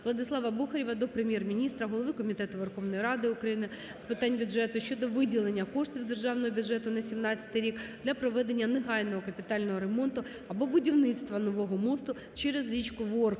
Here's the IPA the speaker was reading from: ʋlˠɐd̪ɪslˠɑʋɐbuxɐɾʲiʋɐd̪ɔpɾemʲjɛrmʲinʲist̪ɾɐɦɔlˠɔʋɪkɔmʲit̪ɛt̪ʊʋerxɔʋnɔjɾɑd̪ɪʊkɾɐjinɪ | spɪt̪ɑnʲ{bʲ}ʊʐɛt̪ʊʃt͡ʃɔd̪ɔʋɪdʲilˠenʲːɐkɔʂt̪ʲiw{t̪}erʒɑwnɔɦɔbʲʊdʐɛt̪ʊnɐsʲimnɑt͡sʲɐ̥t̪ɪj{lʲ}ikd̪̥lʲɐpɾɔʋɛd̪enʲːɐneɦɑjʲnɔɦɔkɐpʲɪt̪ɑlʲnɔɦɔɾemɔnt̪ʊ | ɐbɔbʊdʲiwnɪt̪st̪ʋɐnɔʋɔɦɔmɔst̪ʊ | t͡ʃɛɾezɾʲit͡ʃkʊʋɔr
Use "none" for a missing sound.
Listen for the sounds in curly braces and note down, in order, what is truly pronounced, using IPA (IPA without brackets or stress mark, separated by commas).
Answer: bʲ, d̪, ɾʲ